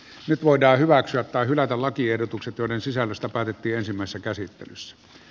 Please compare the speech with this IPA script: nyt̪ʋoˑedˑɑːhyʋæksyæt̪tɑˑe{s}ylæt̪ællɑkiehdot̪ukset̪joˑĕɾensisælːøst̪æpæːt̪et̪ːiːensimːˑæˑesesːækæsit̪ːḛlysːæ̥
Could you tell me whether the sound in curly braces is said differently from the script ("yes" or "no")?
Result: yes